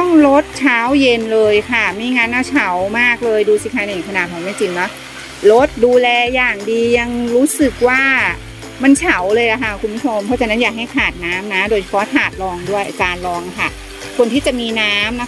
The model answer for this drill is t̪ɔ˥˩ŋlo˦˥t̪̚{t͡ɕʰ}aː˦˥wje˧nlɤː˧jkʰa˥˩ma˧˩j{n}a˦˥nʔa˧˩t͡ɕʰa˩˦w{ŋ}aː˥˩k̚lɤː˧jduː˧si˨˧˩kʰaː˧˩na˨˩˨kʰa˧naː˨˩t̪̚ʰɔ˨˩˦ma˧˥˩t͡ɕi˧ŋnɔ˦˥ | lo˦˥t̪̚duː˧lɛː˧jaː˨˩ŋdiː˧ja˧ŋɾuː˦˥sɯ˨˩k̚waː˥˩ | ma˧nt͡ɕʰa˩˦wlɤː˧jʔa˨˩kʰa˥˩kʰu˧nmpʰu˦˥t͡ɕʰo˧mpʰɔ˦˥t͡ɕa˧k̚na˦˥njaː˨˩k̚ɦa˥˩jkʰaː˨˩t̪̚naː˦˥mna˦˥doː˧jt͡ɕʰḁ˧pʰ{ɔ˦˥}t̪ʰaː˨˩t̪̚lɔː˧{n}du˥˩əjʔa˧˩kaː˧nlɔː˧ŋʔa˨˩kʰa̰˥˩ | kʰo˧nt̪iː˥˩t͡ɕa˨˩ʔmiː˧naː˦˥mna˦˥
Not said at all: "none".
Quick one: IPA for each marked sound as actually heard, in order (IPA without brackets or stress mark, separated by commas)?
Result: t͡ɕʰ, ŋ, m, ɔ˦˥, ŋ